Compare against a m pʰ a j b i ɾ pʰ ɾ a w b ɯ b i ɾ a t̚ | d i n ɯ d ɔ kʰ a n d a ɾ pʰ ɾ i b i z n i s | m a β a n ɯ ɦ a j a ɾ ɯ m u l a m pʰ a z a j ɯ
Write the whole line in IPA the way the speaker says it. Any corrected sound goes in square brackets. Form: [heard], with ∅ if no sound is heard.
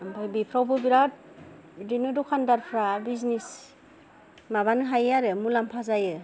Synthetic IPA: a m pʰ a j b i [∅] pʰ ɾ a w b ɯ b i ɾ a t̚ | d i n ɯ d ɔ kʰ a n d a ɾ pʰ ɾ [a] b i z n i s | m a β a n ɯ ɦ a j a ɾ ɯ m u l a m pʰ a z a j ɯ